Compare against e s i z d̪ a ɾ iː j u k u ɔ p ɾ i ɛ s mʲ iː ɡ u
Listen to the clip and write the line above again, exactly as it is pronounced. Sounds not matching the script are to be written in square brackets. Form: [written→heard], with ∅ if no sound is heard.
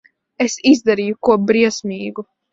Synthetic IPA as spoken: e s i z d̪ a ɾ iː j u k u ɔ [p→b] ɾ i ɛ s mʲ iː ɡ u